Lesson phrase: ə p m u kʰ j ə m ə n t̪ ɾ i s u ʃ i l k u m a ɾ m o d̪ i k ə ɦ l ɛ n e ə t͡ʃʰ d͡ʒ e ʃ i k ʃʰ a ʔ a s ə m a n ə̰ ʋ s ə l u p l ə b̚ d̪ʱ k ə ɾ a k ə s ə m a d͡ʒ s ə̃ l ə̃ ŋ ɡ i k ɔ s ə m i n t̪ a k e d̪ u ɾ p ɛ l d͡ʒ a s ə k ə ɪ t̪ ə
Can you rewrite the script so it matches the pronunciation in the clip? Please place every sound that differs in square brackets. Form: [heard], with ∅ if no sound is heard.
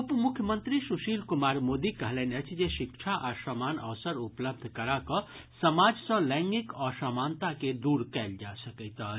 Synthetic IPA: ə p m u kʰ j ə m ə n t̪ ɾ i s u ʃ i l k u m a ɾ m o d̪ i k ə ɦ l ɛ n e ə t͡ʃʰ d͡ʒ e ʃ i k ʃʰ a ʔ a s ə m a n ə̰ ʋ s ə [ɾ] u p l ə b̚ d̪ʱ k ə ɾ a k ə s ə m a d͡ʒ s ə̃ l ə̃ ŋ ɡ i k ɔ s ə m [a] n t̪ a k e d̪ u ɾ [k] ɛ l d͡ʒ a s ə k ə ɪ t̪ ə